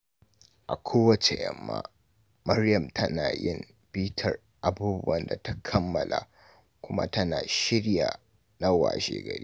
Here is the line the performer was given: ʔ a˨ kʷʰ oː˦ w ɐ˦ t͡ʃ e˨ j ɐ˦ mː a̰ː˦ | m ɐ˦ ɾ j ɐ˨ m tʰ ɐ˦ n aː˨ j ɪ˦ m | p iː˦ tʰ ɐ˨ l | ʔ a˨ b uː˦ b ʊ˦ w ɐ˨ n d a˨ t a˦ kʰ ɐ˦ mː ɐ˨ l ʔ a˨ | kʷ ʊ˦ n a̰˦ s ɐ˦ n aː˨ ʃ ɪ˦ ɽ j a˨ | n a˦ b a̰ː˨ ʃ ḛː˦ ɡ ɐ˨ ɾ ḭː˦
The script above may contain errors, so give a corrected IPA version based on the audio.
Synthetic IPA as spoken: ʔ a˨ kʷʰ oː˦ w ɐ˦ t͡ʃ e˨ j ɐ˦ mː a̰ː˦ | m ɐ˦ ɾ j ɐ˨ m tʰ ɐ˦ n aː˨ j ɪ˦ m | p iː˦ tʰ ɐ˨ r | ʔ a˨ b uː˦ b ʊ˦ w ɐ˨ n d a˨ t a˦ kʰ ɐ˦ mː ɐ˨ l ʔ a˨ | kʷ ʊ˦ m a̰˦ t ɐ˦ n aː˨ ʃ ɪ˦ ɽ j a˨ | n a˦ w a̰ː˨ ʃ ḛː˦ ɡ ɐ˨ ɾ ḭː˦